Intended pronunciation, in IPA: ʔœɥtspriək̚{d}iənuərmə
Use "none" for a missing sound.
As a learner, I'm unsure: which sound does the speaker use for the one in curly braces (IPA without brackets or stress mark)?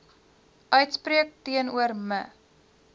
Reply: t